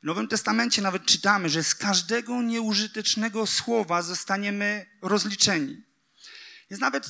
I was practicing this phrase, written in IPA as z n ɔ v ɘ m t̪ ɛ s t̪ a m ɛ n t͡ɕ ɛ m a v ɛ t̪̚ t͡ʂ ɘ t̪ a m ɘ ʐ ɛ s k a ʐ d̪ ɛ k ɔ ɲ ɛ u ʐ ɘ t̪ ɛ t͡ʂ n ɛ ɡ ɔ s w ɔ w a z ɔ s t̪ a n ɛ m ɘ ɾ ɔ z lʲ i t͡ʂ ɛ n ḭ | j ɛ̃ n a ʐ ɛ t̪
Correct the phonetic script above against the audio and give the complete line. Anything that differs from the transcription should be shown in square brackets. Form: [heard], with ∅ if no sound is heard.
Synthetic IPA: [v] n ɔ v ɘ m t̪ ɛ s t̪ a m ɛ n t͡ɕ ɛ [n] a v ɛ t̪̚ t͡ʂ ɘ t̪ a m ɘ ʐ ɛ s k a ʐ d̪ ɛ [ɡ] ɔ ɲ ɛ u ʐ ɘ t̪ ɛ t͡ʂ n ɛ ɡ ɔ s w ɔ [v] a z ɔ s t̪ a [ɲ] ɛ m ɘ ɾ ɔ z lʲ i t͡ʂ ɛ [ɲ] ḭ | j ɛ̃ n a [v] ɛ t̪